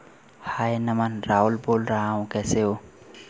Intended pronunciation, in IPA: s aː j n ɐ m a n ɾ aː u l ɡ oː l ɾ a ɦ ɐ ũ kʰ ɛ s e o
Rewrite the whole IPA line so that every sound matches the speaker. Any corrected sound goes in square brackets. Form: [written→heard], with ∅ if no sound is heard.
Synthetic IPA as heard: [s→h] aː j n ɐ m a n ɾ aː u l [ɡ→b] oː l ɾ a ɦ [ɐ→a] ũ [kʰ→k] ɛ s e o